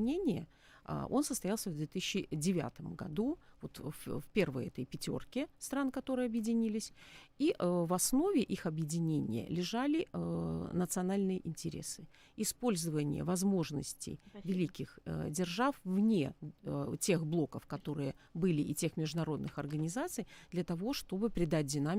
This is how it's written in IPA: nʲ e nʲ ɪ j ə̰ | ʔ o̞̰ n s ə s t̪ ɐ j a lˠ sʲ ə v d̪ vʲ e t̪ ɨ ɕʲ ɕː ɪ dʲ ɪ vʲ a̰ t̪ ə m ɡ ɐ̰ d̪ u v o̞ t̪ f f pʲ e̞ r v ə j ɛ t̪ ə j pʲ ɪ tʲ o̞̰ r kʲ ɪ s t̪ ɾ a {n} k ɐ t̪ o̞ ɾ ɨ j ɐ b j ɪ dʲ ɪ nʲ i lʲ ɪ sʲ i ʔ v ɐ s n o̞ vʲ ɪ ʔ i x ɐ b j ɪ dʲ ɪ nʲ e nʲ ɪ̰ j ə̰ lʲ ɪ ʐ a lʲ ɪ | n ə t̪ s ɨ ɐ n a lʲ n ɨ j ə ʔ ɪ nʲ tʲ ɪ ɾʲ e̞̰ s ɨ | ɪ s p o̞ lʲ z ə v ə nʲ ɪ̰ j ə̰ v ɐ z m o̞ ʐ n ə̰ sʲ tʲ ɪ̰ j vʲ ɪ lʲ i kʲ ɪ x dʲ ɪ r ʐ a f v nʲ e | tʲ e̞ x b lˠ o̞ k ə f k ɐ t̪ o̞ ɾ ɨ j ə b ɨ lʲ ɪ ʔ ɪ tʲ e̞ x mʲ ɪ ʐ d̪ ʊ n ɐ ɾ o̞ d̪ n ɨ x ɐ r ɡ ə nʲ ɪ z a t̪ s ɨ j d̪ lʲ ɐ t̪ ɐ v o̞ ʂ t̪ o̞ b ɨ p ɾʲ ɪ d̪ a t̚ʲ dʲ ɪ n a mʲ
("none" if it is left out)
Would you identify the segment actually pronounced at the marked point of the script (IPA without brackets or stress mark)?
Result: n